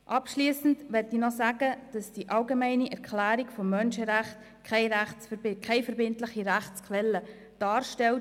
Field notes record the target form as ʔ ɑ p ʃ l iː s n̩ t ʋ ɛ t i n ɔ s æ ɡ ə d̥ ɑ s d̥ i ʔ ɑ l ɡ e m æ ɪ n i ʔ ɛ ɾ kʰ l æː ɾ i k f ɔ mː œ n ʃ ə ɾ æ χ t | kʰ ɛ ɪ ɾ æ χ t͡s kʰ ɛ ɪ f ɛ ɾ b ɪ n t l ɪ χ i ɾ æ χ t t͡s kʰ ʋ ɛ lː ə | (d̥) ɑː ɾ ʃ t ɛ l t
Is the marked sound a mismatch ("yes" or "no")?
no